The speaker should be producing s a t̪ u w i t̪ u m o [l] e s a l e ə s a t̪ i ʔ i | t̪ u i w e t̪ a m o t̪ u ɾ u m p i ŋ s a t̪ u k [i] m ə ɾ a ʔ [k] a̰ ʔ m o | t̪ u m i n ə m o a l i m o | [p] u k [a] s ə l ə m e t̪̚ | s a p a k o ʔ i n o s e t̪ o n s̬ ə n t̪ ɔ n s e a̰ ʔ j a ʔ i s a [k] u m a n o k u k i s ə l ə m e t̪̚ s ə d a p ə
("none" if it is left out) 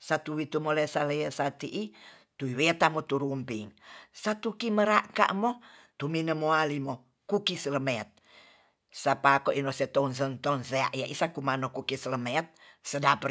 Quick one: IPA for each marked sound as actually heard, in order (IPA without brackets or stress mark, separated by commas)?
l, i, k, k, i, k